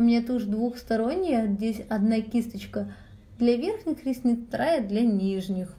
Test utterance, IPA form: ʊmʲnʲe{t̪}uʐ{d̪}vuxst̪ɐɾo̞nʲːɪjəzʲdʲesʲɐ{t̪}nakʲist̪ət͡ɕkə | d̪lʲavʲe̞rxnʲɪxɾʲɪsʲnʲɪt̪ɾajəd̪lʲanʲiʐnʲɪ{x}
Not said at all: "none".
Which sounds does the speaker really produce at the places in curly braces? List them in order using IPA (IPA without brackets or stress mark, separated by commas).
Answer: t̪, d̪, d̪, x